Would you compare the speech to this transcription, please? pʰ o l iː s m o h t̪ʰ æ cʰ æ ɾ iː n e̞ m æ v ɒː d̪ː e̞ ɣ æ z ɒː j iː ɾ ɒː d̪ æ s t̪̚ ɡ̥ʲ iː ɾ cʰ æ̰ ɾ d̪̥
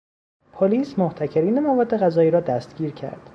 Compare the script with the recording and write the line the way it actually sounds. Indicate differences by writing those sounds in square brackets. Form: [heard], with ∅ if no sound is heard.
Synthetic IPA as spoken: pʰ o l iː s m o h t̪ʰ æ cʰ [e] ɾ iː n e̞ m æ v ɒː d̪ː e̞ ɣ æ z ɒː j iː ɾ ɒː d̪ æ s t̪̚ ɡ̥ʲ iː ɾ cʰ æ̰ ɾ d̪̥